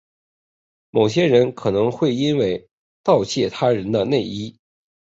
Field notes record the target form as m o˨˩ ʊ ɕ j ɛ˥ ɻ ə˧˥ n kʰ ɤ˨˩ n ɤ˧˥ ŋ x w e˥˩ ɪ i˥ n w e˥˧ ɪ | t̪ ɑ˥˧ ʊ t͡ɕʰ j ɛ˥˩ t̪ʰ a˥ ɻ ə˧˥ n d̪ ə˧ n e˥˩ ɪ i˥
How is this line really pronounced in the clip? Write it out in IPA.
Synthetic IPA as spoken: m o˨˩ ʊ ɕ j ɛ˥ ɻ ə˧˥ n kʰ ɤ˨˩ n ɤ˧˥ ŋ x w e˥˩ ɪ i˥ n w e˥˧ ɪ | t̪ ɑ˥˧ ʊ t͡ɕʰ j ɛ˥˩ t̪ʰ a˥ ɻ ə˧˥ n d̪ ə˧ n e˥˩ ɪ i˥

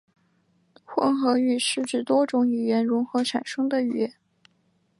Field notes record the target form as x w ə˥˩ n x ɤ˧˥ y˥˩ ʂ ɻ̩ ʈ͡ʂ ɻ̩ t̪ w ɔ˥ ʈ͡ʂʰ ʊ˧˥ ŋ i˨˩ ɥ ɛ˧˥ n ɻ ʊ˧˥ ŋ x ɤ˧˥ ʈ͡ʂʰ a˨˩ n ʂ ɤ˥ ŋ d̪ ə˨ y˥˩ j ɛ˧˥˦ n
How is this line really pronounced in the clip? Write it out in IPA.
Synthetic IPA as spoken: x w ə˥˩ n x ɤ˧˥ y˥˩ ʂ ɻ̩ ʈ͡ʂ ɻ̩ t̪ w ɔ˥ ʈ͡ʂ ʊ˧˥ ŋ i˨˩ ɥ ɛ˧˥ n ɻ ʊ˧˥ ŋ x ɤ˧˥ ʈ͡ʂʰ a˨˩ n ʂ ɤ˥ ŋ d̪ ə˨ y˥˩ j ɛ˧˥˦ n

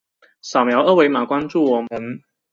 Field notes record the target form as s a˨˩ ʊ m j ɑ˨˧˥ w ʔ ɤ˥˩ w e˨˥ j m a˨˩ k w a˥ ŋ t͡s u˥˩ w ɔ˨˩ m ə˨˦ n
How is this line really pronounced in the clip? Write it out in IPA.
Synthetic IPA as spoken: s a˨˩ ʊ m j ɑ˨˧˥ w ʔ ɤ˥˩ w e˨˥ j m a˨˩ k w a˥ n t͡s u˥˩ w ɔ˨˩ m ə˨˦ n

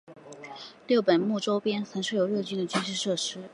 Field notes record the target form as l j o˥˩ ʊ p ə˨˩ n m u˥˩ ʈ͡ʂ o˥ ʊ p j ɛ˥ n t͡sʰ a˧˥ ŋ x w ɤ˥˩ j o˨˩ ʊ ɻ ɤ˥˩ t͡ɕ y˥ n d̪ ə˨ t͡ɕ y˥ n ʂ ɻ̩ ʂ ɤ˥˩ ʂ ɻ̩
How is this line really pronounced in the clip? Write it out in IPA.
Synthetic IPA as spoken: l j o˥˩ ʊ p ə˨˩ n m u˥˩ ʈ͡ʂ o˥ ʊ p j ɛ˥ n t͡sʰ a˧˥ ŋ ʂ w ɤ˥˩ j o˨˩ ʊ ɻ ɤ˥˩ t͡ɕ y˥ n d̪ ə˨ t͡ɕ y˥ n ʂ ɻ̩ ʂ ɤ˥˩ ʂ ɻ̩

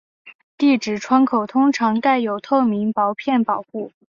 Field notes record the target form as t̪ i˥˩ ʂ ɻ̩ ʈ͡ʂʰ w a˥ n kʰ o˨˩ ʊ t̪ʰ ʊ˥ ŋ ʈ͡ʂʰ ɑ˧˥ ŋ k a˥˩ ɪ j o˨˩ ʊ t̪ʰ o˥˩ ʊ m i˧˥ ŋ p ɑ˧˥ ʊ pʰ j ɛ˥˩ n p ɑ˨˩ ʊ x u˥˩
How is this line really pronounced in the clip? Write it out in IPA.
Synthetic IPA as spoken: t̪ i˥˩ ʈ͡ʂ ɻ̩ ʈ͡ʂʰ w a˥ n kʰ o˨˩ ʊ t̪ʰ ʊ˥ ŋ ʈ͡ʂʰ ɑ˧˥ ŋ k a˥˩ ɪ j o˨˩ ʊ t̪ʰ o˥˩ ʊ m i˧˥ ŋ p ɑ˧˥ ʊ pʰ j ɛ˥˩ n p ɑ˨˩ ʊ x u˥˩

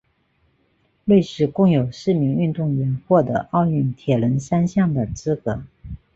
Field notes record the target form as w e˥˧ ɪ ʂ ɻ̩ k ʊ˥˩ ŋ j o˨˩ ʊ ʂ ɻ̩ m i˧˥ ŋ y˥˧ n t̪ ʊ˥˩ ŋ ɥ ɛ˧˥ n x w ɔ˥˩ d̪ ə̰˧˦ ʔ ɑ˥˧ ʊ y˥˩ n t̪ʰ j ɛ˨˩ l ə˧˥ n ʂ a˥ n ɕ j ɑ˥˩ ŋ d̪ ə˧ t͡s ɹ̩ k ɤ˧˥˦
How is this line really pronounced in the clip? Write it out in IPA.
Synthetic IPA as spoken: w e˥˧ ɪ ʂ ɻ̩ k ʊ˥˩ ŋ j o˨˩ ʊ ʂ ɻ̩ m i˧˥ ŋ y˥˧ n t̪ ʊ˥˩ ŋ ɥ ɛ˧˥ n x w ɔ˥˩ d̪ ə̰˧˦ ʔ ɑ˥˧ ʊ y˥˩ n t̪ʰ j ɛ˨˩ l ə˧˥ n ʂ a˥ n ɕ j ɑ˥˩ ŋ d̪ ə˩ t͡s ɹ̩ k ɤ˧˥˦

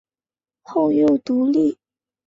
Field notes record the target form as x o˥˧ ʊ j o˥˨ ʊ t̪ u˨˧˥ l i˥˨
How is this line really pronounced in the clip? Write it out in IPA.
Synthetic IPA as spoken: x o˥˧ ʊ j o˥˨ ʊ t̪ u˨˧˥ l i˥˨

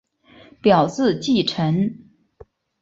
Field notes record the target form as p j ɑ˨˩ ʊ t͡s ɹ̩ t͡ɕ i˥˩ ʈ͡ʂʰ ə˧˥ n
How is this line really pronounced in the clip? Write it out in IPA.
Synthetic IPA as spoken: p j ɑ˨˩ ʊ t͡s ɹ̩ t͡ɕ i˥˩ ʈ͡ʂʰ ə˧˥ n

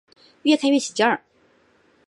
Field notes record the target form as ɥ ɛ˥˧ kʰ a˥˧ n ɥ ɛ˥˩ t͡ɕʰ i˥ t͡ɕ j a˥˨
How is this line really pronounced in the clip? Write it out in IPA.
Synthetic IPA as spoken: ɥ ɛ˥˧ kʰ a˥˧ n ɥ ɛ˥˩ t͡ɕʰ i˨˩ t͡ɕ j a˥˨

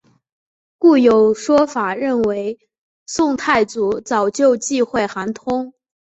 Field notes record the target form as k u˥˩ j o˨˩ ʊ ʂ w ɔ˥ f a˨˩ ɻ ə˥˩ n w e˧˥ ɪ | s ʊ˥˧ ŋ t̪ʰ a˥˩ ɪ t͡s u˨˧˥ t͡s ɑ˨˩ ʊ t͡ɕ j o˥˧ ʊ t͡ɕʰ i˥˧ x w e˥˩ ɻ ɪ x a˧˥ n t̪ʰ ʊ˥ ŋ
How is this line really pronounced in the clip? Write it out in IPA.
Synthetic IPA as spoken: k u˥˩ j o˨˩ ʊ ʂ w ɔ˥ f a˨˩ ɻ ə˥˩ n w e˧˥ ɪ | s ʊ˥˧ ŋ t̪ʰ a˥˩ ɪ t͡s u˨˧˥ t͡s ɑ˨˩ ʊ t͡ɕ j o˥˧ ʊ t͡ɕ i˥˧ x w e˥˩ ɪ x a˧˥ n t̪ʰ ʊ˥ ŋ

